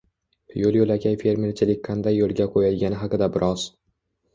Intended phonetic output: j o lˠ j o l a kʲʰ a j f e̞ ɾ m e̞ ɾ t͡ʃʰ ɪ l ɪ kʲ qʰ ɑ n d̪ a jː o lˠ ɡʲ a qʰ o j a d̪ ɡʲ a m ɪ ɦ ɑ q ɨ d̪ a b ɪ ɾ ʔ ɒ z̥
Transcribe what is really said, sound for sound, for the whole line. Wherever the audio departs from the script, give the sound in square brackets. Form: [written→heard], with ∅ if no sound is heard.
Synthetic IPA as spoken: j o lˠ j o l a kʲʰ a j f e̞ ɾ m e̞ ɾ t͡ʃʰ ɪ l ɪ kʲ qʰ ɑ n d̪ a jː o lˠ ɡʲ a qʰ o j a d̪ ɡʲ a [m→n] ɪ ɦ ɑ q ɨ d̪ a b ɪ ɾ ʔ ɒ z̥